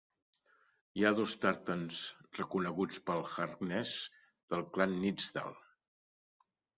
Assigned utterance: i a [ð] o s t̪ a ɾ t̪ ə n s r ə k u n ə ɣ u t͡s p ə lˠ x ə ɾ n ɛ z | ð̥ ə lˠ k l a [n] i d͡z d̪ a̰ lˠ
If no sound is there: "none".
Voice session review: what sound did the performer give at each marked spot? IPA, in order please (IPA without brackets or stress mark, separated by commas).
ð, nː